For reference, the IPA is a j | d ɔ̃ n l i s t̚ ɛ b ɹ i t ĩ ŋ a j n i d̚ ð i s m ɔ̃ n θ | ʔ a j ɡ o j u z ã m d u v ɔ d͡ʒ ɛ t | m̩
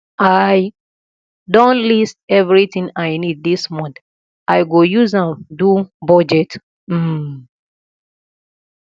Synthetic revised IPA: a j | d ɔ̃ n l i s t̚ ɛ v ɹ i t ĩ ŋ a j n i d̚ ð i s m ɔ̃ n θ | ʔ a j ɡ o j u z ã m d u b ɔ d͡ʒ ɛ t | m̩